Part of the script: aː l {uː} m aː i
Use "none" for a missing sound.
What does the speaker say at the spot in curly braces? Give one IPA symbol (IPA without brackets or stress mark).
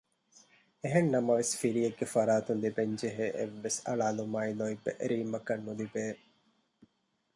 u